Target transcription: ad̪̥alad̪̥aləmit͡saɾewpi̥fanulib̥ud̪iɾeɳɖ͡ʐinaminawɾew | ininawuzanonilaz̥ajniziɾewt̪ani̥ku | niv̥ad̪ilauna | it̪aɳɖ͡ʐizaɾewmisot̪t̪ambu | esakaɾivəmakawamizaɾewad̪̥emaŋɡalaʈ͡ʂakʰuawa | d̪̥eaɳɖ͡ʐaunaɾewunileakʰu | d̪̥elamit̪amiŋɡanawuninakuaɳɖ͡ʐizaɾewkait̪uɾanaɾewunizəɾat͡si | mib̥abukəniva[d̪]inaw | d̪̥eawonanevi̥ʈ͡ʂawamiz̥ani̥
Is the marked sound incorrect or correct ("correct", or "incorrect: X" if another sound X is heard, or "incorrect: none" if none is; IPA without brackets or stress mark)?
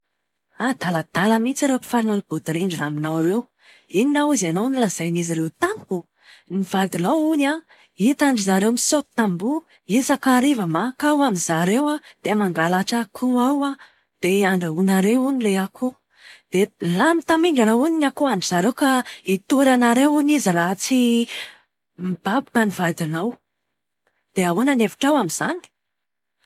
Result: correct